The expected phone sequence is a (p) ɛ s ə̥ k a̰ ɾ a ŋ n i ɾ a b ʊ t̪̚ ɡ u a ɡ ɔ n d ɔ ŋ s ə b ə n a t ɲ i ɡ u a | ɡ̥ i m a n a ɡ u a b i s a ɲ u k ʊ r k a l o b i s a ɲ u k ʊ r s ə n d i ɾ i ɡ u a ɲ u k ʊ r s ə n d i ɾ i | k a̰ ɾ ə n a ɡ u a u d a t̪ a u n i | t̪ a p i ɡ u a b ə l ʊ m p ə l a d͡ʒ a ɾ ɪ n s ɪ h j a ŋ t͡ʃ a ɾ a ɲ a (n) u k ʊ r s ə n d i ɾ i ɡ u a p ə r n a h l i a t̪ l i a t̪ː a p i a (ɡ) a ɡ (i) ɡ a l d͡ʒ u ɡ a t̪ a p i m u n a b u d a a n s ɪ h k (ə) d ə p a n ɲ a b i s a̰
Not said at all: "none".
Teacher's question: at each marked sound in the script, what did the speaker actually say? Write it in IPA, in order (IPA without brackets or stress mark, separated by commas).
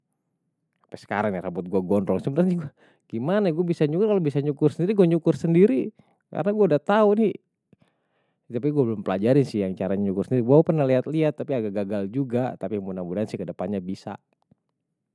p, ɲ, ɡ, a, ə